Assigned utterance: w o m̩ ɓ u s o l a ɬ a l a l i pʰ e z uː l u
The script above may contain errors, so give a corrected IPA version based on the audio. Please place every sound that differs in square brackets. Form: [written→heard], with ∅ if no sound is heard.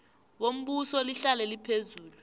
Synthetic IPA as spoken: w o m̩ ɓ u s [o→ɔ] l [a→i] ɬ a l [a→ɛ] l i pʰ e z uː l u

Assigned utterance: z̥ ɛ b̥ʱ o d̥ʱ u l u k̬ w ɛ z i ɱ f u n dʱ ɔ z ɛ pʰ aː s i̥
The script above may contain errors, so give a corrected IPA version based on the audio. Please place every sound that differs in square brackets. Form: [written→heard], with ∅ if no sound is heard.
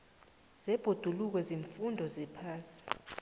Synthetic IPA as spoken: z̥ ɛ b̥ʱ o d̥ʱ u l u k̬ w ɛ z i ɱ f u n dʱ ɔ z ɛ pʰ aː s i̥

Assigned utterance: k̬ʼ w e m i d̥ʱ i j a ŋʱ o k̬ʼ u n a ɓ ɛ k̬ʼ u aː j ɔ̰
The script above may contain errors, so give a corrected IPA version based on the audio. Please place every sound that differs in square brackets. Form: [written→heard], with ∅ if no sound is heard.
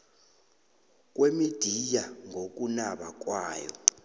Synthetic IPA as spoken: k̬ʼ w e m i d̥ʱ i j a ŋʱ o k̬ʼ u n a ɓ [ɛ→a] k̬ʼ [u→w] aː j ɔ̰

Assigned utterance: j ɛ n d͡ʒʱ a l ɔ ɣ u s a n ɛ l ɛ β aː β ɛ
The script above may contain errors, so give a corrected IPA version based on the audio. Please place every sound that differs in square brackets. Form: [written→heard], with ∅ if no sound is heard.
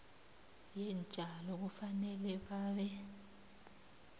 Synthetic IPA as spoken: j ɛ n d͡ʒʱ a l ɔ ɣ u [s→f] a n ɛ l ɛ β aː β ɛ

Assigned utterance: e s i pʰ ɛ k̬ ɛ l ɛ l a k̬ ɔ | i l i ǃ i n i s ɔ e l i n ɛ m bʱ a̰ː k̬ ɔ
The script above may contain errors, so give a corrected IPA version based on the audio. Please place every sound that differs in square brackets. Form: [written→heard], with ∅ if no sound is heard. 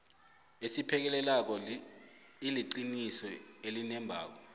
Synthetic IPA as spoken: e s i pʰ ɛ k̬ ɛ l ɛ l a k̬ ɔ | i l i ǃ i n i s ɔ e l i n ɛ m bʱ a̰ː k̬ ɔ

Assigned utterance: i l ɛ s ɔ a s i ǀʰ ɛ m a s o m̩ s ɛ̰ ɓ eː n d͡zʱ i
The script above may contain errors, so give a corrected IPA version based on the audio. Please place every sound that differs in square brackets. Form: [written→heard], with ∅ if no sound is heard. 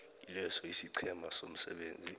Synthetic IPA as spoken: i l ɛ s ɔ [a→i] s i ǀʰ ɛ m a s o m̩ s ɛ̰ ɓ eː n d͡zʱ i

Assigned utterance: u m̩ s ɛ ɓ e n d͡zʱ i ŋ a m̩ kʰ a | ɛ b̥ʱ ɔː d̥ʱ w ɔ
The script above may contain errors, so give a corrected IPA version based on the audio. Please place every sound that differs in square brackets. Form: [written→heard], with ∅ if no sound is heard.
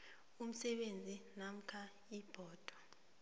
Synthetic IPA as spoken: u m̩ s ɛ ɓ e n d͡zʱ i [ŋ→n] a m̩ kʰ a | [ɛ→i] b̥ʱ ɔː d̥ʱ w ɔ

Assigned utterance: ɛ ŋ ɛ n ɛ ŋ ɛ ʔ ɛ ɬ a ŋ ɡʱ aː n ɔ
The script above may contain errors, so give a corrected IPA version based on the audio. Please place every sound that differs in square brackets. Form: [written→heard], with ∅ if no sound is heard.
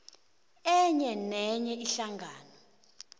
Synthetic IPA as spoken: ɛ [ŋ→ɲ] ɛ n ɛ [ŋ→ɲ] ɛ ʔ [ɛ→i] ɬ a ŋ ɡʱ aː n ɔ

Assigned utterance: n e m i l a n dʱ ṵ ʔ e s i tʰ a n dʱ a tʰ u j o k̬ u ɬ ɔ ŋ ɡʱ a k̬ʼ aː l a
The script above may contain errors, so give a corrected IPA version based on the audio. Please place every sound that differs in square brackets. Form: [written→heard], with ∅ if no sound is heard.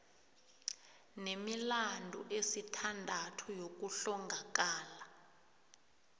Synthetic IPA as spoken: n e m i l a n dʱ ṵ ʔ e s i tʰ a n dʱ a tʰ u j o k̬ u ɬ ɔ ŋ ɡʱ a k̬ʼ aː l a

